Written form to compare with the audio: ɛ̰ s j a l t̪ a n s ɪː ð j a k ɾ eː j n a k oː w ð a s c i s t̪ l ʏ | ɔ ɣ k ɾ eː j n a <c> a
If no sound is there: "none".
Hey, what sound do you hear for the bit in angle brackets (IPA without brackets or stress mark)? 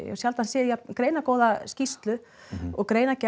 c